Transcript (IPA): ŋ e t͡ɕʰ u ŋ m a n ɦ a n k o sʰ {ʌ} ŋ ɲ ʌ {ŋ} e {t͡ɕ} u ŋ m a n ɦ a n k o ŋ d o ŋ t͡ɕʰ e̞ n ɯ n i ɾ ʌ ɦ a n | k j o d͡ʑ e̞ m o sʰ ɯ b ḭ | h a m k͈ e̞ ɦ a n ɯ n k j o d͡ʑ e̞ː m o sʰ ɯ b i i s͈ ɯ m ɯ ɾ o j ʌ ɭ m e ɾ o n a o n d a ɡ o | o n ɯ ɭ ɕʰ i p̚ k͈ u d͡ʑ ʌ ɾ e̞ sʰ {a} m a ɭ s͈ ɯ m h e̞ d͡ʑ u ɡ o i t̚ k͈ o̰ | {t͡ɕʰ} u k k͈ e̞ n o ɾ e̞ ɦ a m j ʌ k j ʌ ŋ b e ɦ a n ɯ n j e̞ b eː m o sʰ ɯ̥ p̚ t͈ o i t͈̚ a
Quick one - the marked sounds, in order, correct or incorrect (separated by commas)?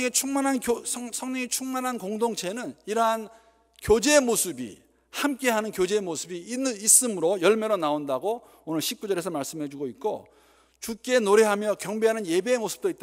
correct, correct, incorrect, incorrect, incorrect